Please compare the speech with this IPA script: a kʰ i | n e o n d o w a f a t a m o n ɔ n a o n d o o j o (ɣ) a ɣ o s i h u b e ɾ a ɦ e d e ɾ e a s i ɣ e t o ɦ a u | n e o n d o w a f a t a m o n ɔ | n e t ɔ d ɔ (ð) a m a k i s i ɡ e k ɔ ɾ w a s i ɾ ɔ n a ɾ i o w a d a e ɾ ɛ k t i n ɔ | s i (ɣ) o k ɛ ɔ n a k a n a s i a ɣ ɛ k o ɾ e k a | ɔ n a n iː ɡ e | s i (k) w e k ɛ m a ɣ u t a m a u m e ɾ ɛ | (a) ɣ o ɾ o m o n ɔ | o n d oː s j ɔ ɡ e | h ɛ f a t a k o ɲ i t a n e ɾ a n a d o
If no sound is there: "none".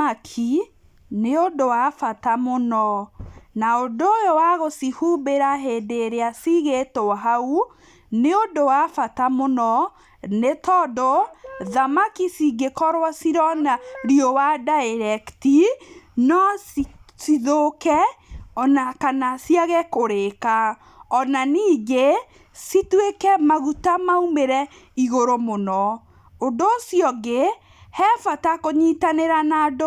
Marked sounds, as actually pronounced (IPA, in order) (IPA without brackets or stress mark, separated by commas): w, ð, ð, t, i